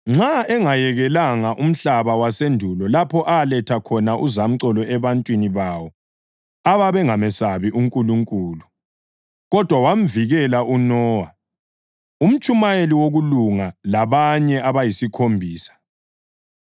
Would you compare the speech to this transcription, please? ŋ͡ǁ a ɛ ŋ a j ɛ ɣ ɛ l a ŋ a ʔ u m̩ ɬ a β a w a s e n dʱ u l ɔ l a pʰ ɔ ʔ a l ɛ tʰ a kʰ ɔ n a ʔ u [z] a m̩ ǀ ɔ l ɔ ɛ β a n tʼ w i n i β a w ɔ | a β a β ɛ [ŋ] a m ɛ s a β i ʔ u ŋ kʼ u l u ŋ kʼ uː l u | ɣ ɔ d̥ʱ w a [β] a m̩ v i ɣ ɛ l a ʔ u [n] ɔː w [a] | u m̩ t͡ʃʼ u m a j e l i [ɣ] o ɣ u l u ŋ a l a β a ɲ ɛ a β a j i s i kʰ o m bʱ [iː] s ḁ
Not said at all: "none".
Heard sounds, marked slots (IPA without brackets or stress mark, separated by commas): z, ŋ, w, n, a, w, iː